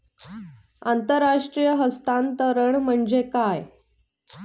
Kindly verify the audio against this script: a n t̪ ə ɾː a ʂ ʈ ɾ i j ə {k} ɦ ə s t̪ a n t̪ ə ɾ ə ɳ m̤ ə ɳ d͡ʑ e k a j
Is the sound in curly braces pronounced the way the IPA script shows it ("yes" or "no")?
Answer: no